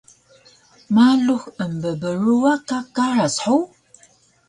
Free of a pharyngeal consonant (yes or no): no